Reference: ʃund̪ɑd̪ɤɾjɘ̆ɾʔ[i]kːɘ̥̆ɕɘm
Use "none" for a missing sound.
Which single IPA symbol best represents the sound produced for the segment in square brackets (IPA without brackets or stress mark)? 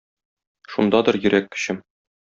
æ